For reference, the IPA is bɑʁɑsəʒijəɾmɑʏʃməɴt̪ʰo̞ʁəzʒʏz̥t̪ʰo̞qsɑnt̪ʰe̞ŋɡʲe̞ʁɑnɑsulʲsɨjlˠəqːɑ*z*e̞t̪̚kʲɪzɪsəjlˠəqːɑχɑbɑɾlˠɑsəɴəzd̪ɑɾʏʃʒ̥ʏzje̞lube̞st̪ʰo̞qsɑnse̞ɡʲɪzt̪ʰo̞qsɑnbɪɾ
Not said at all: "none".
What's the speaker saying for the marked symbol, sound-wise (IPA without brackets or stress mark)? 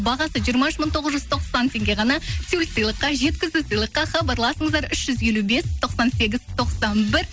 ʒ